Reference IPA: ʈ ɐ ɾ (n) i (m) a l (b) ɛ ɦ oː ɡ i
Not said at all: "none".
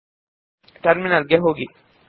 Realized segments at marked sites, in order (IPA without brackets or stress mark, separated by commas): m, n, ɡ